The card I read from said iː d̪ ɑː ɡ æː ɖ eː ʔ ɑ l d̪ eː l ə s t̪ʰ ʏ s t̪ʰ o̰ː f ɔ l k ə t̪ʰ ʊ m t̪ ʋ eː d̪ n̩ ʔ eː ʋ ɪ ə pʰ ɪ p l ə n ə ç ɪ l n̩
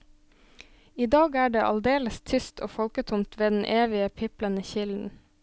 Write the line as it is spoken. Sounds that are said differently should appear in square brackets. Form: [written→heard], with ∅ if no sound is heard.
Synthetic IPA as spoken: iː d̪ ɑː ɡ æː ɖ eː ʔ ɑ l d̪ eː l ə s t̪ʰ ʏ s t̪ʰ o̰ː f ɔ l k ə t̪ʰ ʊ m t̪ ʋ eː d̪ n̩ ʔ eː ʋ ɪ ə pʰ ɪ p l ə n ə ç ɪ l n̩